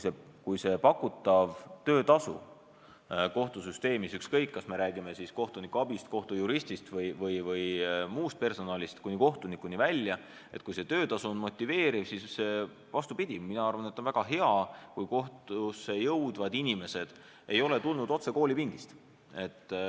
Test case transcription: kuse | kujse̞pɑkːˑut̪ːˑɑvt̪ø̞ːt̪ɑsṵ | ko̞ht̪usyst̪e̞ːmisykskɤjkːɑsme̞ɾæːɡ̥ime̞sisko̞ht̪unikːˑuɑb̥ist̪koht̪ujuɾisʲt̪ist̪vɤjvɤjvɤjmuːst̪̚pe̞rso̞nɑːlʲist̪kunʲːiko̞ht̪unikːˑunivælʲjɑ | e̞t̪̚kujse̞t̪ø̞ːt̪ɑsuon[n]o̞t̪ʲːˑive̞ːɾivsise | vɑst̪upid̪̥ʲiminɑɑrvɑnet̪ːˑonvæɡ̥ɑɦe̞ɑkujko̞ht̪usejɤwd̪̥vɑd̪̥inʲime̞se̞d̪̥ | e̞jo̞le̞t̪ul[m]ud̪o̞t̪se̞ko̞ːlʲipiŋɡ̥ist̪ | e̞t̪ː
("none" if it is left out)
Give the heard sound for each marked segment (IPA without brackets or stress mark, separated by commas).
m, n